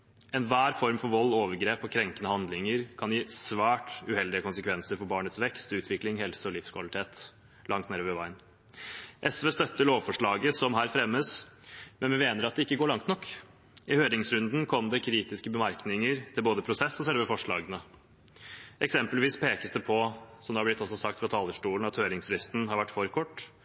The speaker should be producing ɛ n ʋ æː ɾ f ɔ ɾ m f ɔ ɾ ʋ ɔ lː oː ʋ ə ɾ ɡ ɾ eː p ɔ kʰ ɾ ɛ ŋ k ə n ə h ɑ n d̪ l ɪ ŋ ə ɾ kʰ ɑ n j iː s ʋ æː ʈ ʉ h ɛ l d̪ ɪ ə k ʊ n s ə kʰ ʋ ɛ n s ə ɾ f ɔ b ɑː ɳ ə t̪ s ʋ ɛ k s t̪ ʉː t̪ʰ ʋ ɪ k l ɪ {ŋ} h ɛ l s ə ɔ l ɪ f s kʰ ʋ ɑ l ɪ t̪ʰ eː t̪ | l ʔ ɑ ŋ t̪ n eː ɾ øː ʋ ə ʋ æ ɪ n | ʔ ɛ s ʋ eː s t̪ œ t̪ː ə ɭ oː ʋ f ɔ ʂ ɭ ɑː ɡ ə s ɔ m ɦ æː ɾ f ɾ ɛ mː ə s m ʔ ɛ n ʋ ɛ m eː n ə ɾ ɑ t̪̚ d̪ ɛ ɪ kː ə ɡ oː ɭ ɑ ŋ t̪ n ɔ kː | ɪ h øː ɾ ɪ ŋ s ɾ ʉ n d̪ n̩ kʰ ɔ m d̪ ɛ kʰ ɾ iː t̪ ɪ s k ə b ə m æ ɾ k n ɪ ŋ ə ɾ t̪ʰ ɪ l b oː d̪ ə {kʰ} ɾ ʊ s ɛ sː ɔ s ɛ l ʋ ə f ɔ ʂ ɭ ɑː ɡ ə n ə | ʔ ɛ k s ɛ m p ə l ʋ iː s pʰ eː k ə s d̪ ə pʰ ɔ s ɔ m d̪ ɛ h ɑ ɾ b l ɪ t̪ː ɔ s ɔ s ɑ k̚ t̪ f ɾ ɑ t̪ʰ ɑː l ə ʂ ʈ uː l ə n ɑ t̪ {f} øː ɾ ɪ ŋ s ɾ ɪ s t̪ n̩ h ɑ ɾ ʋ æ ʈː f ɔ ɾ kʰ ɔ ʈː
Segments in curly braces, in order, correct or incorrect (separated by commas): correct, incorrect, incorrect